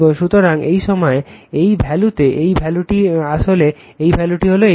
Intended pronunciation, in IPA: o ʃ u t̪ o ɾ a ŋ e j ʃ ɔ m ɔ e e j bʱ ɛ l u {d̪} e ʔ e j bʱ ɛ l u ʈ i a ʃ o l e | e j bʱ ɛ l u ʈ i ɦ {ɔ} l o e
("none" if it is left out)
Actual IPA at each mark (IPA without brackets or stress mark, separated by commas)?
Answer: t̪, o